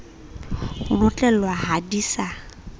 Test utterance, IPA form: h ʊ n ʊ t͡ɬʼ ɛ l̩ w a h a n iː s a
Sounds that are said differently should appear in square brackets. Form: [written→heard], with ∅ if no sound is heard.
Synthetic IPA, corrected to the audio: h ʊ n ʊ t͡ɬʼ ɛ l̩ w a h a [n→d] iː s a

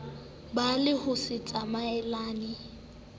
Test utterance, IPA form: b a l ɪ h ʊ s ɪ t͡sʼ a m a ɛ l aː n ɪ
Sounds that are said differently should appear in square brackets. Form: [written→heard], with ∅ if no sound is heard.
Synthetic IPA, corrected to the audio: b a l ɪ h ʊ s ɪ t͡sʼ a m a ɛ l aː n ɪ

